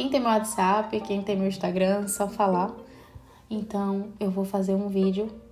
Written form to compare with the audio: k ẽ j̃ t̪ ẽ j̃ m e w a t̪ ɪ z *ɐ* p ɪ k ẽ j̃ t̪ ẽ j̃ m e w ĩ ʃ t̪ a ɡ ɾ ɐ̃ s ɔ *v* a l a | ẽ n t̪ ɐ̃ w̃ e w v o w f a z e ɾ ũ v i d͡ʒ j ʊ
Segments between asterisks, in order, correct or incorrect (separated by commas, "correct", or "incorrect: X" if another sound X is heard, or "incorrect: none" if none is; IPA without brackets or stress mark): incorrect: a, incorrect: f